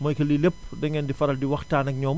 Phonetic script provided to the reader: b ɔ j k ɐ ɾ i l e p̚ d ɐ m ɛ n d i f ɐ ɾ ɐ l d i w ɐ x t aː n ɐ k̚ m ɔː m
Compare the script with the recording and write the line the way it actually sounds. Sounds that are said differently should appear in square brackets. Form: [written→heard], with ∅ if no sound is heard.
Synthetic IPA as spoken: [b→m] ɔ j k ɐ [ɾ→l] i l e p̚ d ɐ [m→ŋ] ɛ n d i f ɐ ɾ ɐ l d i w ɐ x t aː n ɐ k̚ [m→ɲ] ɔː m